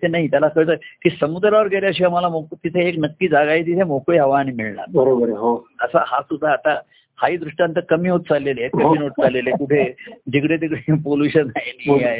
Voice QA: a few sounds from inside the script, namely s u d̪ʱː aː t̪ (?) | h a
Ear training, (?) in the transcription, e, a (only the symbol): a